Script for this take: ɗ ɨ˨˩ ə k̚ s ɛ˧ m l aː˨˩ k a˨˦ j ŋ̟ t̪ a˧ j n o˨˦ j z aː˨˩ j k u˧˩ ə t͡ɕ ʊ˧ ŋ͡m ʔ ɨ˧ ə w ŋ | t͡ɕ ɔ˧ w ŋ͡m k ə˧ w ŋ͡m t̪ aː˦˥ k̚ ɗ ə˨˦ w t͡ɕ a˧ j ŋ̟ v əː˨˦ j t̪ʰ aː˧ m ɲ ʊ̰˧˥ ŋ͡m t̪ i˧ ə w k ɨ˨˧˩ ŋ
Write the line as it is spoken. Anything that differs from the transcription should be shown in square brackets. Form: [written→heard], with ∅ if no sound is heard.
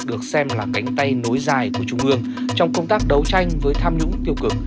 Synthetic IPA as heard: ɗ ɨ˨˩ ə k̚ s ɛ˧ m l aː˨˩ k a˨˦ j ŋ̟ t̪ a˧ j n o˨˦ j z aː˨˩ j k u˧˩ ə t͡ɕ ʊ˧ ŋ͡m ʔ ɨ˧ ə [w→∅] ŋ | t͡ɕ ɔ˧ w ŋ͡m k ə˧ w ŋ͡m t̪ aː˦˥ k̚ ɗ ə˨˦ w t͡ɕ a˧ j ŋ̟ v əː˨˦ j t̪ʰ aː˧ m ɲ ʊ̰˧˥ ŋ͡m t̪ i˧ ə w k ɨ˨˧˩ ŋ